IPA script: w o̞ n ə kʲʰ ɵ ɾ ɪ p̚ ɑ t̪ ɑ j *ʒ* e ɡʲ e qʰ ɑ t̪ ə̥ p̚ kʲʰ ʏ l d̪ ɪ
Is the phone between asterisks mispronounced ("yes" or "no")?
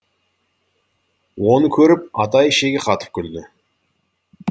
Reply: yes